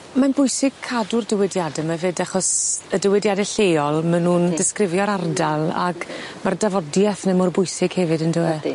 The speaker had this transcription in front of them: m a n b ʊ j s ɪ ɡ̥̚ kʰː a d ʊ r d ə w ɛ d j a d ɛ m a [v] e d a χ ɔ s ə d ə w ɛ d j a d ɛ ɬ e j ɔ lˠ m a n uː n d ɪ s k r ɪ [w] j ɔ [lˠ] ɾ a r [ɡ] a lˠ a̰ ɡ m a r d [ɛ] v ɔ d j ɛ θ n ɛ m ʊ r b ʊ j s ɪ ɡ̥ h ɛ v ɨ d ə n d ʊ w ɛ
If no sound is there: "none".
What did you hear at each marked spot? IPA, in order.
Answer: v, v, none, d, a

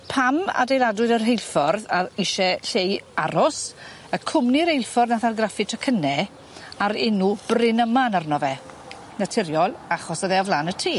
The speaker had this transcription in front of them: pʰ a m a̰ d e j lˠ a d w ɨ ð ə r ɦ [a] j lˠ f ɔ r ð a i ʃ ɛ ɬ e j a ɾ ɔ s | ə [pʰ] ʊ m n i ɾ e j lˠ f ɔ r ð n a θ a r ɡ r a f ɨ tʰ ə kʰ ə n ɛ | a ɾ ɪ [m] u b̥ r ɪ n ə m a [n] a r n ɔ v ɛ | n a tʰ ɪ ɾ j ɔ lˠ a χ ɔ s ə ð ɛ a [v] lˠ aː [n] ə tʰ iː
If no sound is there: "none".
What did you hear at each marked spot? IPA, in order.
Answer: e, kʰ, n, n, v, n

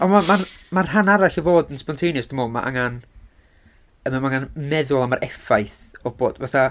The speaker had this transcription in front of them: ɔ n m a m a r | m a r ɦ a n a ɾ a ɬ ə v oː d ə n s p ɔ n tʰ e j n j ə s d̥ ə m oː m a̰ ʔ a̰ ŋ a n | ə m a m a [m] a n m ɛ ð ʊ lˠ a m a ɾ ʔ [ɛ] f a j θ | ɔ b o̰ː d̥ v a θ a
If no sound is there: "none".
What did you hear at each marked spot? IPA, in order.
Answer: ŋ, ɛ

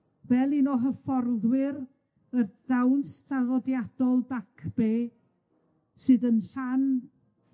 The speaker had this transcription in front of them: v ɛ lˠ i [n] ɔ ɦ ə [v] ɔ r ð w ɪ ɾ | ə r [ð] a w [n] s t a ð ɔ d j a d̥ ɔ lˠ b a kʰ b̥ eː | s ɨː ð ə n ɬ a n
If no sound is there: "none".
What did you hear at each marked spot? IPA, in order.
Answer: n, f, ð, n

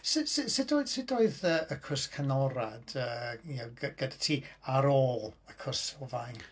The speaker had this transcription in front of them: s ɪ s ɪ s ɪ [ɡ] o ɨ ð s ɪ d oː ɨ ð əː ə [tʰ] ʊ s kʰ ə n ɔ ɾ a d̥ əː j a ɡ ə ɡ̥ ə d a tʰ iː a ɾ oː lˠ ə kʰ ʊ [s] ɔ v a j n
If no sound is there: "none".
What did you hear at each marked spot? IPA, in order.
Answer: d, kʰ, s

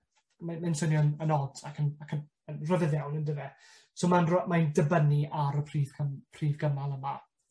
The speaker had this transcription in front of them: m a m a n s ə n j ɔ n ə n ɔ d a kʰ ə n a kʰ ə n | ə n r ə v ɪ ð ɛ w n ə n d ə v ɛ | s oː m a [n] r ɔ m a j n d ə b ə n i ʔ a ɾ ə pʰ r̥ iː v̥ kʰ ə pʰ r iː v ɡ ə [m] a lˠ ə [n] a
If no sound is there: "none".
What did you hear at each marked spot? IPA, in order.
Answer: n, m, m

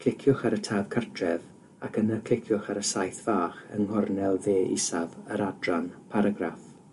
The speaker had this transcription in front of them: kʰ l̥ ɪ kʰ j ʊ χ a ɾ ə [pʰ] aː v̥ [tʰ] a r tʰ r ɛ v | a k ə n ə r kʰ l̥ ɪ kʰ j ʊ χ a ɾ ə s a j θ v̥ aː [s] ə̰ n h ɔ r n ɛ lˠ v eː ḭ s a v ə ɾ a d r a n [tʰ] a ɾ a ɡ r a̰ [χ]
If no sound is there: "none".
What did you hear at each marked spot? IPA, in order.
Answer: tʰ, kʰ, χ, pʰ, f

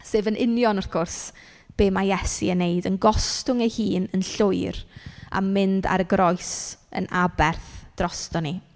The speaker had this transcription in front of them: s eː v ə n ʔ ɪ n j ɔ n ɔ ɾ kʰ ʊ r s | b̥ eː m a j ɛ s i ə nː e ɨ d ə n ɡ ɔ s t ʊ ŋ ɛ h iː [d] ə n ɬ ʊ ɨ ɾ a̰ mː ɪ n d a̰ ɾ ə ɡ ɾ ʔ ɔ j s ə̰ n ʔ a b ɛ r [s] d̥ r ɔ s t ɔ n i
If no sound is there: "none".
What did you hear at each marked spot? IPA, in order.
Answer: n, θ

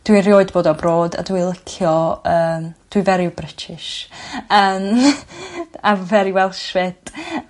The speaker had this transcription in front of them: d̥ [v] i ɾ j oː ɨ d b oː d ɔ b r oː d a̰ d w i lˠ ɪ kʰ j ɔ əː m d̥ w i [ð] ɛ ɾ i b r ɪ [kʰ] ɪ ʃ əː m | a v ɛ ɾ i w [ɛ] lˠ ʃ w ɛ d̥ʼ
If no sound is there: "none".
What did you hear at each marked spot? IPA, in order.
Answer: w, v, tʰ, ɛ

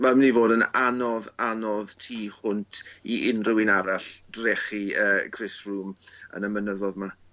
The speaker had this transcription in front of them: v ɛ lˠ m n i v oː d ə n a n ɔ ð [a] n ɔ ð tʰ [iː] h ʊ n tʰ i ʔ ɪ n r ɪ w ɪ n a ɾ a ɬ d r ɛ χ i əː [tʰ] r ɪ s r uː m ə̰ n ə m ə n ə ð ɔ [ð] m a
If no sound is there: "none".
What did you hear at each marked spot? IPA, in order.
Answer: a, iː, kʰ, ð

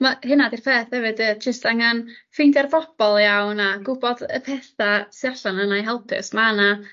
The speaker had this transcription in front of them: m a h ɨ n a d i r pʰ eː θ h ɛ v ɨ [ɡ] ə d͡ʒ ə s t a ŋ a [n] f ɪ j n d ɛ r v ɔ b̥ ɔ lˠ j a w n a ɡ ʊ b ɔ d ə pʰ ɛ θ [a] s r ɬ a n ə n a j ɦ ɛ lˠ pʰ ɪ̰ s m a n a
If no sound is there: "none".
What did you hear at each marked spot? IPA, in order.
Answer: d, n, a

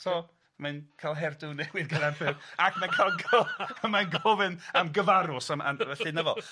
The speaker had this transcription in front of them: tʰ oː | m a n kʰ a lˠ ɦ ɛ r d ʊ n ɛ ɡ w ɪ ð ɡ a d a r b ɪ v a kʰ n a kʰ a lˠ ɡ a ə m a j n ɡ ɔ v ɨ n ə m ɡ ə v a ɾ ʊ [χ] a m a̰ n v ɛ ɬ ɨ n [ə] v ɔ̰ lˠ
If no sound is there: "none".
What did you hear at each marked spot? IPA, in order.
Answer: s, ə

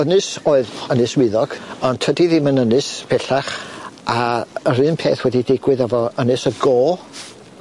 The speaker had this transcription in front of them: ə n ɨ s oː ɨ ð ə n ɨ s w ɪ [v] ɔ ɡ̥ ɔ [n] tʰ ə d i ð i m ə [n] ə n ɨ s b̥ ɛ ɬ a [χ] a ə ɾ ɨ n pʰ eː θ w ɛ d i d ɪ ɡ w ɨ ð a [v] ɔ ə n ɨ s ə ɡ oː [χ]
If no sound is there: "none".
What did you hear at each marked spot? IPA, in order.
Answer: ð, n, n, χ, v, none

